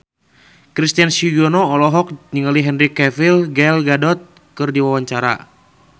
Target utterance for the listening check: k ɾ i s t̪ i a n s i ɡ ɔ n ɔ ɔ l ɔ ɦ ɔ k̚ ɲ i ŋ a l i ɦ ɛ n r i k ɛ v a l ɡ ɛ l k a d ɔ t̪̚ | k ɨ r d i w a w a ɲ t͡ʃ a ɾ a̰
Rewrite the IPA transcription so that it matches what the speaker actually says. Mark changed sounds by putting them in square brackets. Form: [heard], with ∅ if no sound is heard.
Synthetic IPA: k ɾ i s t̪ i a n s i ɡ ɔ n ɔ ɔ l ɔ ɦ ɔ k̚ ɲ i ŋ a l i ɦ ɛ n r i k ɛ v [i] l ɡ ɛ l [ɡ] a d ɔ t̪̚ | k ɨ r d i w a w a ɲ t͡ʃ a ɾ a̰

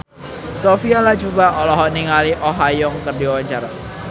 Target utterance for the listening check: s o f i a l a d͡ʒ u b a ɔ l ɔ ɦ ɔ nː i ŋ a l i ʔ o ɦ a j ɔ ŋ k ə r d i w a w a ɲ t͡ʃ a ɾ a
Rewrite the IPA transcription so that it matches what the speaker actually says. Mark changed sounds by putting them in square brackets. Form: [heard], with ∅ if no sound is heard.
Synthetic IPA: s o f i a l a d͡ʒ u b a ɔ l ɔ ɦ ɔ [n] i ŋ a l i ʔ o ɦ a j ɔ ŋ k ə r d i w a w a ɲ t͡ʃ a ɾ a

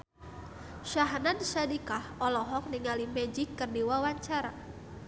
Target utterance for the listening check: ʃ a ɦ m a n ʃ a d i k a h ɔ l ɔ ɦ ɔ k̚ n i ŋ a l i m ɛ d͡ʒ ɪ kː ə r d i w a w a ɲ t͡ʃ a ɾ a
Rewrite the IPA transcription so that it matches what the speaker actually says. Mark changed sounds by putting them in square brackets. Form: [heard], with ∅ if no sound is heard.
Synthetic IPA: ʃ a ɦ [n] a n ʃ a d i k a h ɔ l ɔ ɦ ɔ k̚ n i ŋ a l i m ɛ d͡ʒ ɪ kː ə r d i w a w a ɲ t͡ʃ a ɾ a

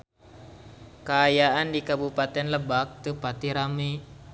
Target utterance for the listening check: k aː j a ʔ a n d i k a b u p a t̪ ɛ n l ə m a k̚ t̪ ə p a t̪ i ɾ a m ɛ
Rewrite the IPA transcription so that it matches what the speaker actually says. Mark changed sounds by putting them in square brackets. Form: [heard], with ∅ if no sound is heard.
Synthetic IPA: k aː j a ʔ a n d i k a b u p a t̪ ɛ n l ə [b] a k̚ t̪ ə p a t̪ i ɾ a m [i]

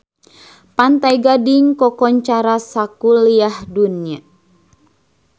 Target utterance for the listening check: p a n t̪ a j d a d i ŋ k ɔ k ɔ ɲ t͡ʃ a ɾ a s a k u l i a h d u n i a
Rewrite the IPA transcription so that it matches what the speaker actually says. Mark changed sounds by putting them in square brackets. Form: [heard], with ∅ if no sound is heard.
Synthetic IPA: p a n t̪ a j [ɡ] a d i ŋ k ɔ k ɔ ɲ t͡ʃ a ɾ a s a k u l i a h d u n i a

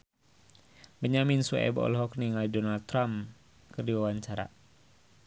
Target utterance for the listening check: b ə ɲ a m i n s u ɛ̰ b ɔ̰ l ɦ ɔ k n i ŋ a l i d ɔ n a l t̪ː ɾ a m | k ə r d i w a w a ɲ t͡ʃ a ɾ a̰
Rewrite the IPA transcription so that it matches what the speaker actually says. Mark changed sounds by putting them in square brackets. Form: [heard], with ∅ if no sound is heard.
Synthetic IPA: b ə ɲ a m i n s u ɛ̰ b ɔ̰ l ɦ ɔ k n i ŋ a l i d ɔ n a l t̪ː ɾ a m | k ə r d i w a w a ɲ t͡ʃ a ɾ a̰

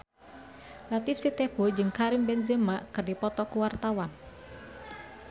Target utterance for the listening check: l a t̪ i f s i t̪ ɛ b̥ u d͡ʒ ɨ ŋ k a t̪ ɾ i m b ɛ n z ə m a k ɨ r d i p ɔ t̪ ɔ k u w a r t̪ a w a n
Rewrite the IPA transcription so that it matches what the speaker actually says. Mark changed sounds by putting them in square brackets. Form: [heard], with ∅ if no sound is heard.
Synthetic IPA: l a t̪ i f s i t̪ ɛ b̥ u d͡ʒ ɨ ŋ k a [∅] ɾ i m b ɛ n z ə m a k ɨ r d i p ɔ t̪ ɔ k u w a r t̪ a w a n

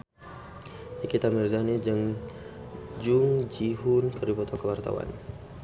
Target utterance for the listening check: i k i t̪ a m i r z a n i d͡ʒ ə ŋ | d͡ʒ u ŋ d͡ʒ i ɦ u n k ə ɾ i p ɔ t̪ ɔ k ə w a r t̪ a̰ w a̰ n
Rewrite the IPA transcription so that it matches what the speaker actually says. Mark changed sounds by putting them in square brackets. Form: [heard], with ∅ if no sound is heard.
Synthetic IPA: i k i t̪ a m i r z a n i d͡ʒ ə ŋ | d͡ʒ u ŋ d͡ʒ i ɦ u n k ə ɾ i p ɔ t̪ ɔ k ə w a r t̪ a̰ w a̰ n

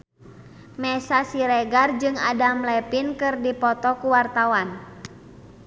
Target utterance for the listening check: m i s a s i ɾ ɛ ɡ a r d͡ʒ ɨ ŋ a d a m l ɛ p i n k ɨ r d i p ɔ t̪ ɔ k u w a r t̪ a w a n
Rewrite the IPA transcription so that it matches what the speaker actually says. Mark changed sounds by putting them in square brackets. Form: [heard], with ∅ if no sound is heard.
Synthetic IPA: m [ɛ] s a s i ɾ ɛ ɡ a r d͡ʒ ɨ ŋ a d a m l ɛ p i n k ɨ r d i p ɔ t̪ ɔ k u w a r t̪ a w a n

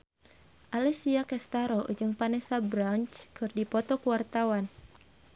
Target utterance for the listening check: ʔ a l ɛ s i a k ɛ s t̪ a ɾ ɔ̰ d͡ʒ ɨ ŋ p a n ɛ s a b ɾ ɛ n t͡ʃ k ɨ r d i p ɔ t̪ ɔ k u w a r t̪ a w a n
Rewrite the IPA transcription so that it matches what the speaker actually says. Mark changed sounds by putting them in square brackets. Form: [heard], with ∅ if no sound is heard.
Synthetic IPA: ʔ a l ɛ s i a k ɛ s t̪ a ɾ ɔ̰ d͡ʒ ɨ ŋ p a n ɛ s a b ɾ [a] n t͡ʃ k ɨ r d i p ɔ t̪ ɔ k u w a r t̪ a w a n

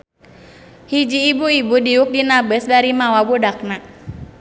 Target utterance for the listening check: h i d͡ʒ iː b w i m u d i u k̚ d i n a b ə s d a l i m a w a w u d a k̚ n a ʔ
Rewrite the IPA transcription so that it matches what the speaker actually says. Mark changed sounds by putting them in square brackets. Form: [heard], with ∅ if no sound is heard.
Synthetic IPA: h i d͡ʒ iː b [u] i [b] u d i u k̚ d i n a b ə s d a [ɾ] i m a w a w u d a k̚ n a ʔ

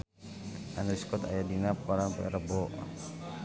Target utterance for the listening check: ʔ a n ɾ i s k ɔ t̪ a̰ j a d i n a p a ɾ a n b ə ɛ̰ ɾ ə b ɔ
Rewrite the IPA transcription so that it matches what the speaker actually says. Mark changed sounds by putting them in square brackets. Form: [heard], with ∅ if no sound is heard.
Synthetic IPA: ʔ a n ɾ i s k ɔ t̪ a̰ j a d i n a p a ɾ a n [p] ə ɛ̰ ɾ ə b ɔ

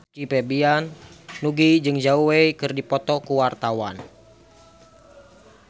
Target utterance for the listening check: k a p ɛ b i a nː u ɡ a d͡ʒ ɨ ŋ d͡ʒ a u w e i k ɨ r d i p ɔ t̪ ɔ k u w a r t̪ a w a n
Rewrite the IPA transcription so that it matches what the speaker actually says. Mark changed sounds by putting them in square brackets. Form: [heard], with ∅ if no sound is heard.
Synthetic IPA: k [i] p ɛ b i a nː u ɡ [i] d͡ʒ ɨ ŋ d͡ʒ a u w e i k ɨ r d i p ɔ t̪ ɔ k u w a r t̪ a w a n

